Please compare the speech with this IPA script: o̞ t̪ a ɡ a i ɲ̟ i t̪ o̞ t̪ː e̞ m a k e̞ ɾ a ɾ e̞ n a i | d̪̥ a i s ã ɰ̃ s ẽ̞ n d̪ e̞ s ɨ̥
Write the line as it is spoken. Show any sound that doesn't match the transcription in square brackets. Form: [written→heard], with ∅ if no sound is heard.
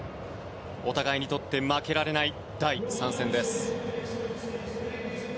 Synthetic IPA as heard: o̞ t̪ a ɡ a i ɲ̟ i t̪ o̞ t̪ː e̞ m a k e̞ ɾ a ɾ e̞ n a i | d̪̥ a i s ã ɰ̃ s ẽ̞ n d̪ e̞ s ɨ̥